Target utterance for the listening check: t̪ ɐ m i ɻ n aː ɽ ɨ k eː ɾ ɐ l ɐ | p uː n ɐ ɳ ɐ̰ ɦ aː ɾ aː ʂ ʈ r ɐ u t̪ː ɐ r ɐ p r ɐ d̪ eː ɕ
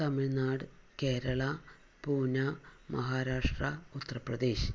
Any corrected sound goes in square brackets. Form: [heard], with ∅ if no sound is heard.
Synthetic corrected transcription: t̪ ɐ m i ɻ n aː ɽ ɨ k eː ɾ ɐ [ɭ] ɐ | p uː n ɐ [m] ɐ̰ ɦ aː ɾ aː ʂ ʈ r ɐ u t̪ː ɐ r ɐ p r ɐ d̪ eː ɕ